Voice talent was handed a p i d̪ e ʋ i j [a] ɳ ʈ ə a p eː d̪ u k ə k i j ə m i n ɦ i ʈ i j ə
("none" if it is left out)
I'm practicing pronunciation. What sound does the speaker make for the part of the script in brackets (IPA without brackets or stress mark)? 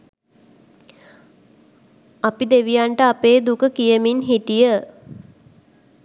a